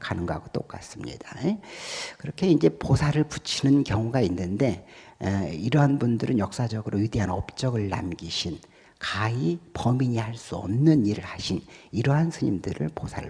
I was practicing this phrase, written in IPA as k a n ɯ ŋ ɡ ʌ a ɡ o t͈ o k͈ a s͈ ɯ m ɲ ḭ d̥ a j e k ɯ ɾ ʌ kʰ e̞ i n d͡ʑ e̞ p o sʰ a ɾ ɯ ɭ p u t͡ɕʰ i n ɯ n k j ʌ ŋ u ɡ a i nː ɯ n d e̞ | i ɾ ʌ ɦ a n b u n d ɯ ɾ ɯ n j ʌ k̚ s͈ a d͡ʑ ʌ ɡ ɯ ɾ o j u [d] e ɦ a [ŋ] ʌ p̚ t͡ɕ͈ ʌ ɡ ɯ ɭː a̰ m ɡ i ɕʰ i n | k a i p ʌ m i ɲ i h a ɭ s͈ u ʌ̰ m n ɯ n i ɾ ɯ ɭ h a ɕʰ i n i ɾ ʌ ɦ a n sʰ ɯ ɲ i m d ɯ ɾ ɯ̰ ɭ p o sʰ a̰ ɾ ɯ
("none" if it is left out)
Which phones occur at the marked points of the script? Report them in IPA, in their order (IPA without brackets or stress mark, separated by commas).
d, n